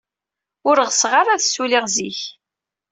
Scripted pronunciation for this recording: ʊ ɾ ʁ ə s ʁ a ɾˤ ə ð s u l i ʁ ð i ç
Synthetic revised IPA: ʊ ɾ ʁ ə s ʁ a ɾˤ a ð s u l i ʁ z i ç

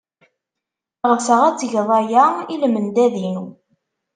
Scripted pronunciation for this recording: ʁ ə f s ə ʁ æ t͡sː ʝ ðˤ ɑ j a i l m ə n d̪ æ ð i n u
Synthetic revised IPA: ʁ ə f s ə ʁ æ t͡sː ʝ ðˤ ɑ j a i l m ə n d̪ æ ð i n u

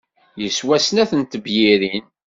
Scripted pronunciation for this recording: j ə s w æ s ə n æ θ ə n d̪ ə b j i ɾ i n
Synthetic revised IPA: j ə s w æ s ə n æ θ ə n t̪ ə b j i ɾ i n

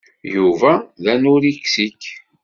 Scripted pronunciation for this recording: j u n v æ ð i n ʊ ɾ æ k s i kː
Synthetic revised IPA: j u v æ ð æ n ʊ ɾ i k s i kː

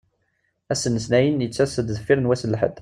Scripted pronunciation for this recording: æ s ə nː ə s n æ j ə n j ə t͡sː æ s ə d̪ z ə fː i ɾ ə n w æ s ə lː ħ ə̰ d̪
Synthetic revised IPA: æ s ə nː ə s n æ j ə n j ə t͡sː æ s ə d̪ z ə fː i ɾ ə n w æ s ə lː ħ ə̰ d̪

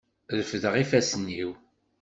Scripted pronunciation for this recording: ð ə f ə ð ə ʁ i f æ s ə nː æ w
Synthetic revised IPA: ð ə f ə ð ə ʁ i f æ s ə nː i w

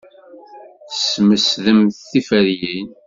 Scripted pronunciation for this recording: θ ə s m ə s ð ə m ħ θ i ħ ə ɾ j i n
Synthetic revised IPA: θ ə s m ə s ð ə m θ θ i f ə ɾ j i n

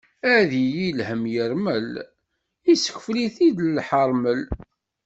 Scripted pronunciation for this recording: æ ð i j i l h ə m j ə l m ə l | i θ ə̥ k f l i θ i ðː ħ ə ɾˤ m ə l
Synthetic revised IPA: æ ð i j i l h ə m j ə ɾ m ə l | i s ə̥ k f l i θ i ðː ħ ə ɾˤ m ə l

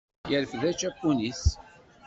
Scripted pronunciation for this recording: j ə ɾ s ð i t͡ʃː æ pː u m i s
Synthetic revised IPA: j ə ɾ f ð æ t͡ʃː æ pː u n i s

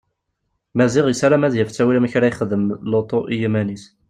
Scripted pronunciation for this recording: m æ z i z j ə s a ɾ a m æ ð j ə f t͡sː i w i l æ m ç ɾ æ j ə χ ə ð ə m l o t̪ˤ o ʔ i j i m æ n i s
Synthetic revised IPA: m æ z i ʁ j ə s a ɾ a m æ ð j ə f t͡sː æ w i l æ m ç ɾ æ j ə χ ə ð ə m l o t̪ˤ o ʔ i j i m æ n i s

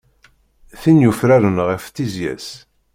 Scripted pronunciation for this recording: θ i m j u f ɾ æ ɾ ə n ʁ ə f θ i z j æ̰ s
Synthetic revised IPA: θ i n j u f ɾ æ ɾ ə n ʁ ə f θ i z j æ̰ s

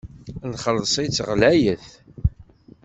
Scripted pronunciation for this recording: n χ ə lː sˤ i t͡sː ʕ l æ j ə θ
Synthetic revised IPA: n χ ə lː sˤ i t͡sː ʁ l æ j ə θ

